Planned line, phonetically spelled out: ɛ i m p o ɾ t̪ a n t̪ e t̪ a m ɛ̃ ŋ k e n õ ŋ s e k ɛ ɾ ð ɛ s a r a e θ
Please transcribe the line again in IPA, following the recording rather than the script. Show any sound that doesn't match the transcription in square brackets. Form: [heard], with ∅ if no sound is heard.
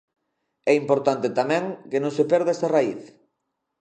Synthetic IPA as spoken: ɛ i m p o ɾ t̪ a n t̪ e t̪ a m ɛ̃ ŋ k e n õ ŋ s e [p] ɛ ɾ ð ɛ s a r a [i] θ